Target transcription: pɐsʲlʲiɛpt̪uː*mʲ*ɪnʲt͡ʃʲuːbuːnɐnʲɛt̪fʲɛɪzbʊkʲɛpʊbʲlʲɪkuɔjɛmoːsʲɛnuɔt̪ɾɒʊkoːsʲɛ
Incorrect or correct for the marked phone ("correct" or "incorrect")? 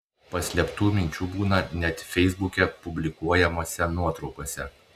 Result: correct